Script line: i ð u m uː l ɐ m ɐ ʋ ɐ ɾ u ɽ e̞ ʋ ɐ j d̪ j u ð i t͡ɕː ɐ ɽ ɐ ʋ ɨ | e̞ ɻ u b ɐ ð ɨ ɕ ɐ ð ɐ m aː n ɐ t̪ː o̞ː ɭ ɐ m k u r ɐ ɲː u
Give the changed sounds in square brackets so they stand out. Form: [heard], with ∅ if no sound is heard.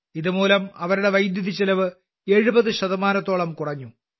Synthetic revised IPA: i ð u m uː l ɐ m ɐ ʋ ɐ ɾ u ɽ e̞ ʋ ɐ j d̪ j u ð i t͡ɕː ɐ [l] ɐ ʋ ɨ | e̞ ɻ u b ɐ ð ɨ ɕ ɐ ð ɐ m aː n ɐ t̪ː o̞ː ɭ ɐ m k u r ɐ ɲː u